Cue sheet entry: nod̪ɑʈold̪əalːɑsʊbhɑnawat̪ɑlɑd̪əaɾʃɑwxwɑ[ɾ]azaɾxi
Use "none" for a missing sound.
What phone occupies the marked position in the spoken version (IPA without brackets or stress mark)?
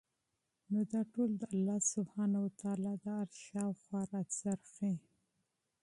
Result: ɾ